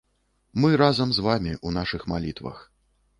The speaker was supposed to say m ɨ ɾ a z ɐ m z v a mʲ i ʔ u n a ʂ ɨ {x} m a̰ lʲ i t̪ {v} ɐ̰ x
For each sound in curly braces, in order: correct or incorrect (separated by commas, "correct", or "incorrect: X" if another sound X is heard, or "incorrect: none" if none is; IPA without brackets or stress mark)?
correct, correct